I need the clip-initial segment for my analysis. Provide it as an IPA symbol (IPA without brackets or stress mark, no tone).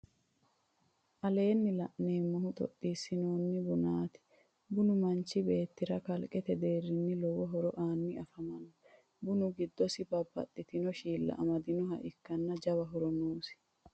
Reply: ʔ